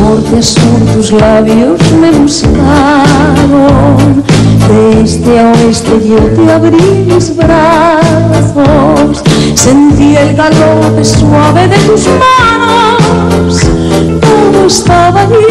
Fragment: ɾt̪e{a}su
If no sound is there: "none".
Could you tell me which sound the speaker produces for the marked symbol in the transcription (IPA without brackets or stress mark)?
a